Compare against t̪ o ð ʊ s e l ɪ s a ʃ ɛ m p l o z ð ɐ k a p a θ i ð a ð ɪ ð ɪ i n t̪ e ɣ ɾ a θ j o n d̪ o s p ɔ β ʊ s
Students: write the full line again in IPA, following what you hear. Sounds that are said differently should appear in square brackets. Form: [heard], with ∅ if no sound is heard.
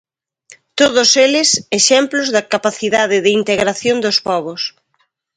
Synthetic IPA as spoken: t̪ o ð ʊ s e l ɪ s [e] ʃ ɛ m p l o z ð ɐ k a p a θ i ð a ð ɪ ð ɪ i n t̪ e ɣ ɾ a θ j o n d̪ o s p ɔ β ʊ s

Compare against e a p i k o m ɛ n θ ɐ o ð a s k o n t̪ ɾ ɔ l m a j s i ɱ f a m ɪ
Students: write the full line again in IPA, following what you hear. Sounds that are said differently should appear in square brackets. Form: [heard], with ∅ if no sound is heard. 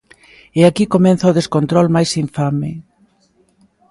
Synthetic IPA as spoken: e a [k] i k o m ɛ n θ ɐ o ð [e] s k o n t̪ ɾ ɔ l m a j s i ɱ f a m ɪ

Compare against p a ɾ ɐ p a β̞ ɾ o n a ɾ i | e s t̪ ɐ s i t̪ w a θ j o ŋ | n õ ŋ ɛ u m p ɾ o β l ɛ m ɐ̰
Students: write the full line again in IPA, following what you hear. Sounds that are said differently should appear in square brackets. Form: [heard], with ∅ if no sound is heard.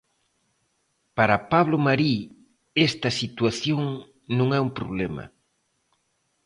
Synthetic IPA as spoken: p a ɾ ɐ p a β̞ [l] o [m] a ɾ i | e s t̪ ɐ s i t̪ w a θ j o ŋ | n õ ŋ ɛ u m p ɾ o β l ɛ m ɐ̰

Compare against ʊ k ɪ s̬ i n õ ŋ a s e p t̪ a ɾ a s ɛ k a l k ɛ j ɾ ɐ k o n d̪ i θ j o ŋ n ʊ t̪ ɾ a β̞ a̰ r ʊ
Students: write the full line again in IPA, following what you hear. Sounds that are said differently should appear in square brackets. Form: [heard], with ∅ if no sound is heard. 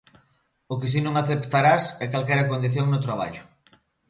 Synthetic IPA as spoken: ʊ k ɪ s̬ i n õ ŋ a [θ] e p t̪ a ɾ a s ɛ k a l k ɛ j ɾ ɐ k o n d̪ i θ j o ŋ n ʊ t̪ ɾ a β̞ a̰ [ʎ] ʊ

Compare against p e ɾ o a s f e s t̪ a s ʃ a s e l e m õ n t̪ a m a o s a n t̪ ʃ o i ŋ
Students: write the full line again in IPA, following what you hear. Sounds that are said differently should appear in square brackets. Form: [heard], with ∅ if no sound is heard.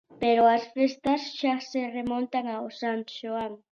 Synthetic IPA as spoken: p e ɾ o a s f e s t̪ a s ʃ a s e [r] e m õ n t̪ a [ŋ] a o s a n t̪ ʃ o [a] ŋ

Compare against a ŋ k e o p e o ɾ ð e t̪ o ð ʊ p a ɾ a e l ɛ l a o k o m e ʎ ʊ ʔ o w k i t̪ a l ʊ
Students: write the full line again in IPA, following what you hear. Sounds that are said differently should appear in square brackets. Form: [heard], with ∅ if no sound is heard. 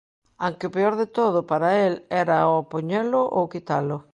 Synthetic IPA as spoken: a ŋ k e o p e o ɾ ð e t̪ o ð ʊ p a ɾ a e l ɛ [ɾ] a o [p] o [ɲ] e [l] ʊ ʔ o w k i t̪ a l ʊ

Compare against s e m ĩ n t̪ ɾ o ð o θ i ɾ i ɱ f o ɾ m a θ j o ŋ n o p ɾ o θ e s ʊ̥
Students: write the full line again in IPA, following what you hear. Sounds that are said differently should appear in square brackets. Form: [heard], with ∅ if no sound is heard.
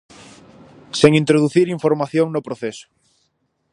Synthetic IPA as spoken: s e [ŋ] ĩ n t̪ ɾ o ð [u] θ i ɾ i ɱ f o ɾ m a θ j o ŋ n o p ɾ o θ e s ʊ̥

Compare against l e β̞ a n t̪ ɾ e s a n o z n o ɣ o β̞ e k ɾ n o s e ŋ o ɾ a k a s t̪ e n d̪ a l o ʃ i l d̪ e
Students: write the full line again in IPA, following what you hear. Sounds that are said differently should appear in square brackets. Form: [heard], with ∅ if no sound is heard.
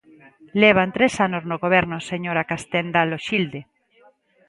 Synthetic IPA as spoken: l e β̞ a n t̪ ɾ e s a n o z n o ɣ o β̞ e [∅] ɾ n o s e [ɲ] o ɾ a k a s t̪ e n d̪ a l o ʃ i l d̪ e

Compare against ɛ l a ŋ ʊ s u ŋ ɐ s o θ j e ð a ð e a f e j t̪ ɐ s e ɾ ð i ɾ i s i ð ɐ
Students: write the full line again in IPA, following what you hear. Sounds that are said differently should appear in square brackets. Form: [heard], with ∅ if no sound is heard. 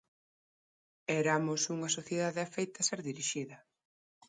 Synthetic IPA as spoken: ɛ [ɾ] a [m] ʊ s u ŋ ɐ s o θ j e ð a ð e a f e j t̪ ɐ s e ɾ ð i ɾ i [ʃ] i ð ɐ

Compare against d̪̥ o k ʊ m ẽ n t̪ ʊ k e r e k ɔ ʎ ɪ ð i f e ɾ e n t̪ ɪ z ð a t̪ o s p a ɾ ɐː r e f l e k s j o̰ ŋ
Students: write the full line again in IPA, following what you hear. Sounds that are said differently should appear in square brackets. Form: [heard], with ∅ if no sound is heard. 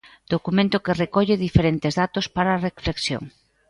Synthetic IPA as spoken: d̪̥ o k [u] m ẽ n t̪ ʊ k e r e k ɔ ʎ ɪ ð i f e ɾ e n t̪ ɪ z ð a t̪ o s p a ɾ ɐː r e f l e k s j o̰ ŋ

